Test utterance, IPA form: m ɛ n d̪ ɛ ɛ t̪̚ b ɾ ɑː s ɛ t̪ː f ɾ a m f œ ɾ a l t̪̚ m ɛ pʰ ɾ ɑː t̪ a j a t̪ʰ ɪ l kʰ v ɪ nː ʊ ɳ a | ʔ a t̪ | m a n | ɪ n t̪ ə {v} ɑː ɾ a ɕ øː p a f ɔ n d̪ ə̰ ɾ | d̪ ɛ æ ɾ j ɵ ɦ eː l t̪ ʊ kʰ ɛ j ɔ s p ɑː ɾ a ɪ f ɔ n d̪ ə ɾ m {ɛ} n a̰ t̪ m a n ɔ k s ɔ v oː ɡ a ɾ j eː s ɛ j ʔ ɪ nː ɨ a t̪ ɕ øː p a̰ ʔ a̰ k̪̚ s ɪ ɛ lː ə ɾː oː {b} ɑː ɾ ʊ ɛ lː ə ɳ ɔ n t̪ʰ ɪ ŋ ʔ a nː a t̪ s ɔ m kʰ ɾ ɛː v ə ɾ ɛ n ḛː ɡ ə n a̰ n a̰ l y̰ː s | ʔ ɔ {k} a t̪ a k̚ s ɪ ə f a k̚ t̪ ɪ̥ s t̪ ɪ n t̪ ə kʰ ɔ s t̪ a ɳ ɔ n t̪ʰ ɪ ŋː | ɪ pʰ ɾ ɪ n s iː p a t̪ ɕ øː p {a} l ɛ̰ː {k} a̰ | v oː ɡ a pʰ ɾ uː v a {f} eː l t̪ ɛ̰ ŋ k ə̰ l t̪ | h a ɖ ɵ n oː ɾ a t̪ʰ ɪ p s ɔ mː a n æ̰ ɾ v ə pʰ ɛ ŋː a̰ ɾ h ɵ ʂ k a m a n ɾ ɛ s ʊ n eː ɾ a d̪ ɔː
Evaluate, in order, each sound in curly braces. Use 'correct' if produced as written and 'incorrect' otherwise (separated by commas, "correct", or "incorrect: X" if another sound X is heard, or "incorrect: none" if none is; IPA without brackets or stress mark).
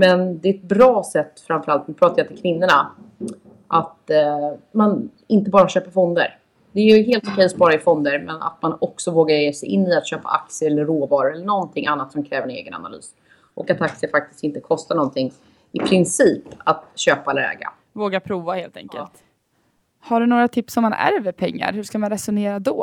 incorrect: b, correct, incorrect: v, correct, correct, incorrect: ɡ, incorrect: h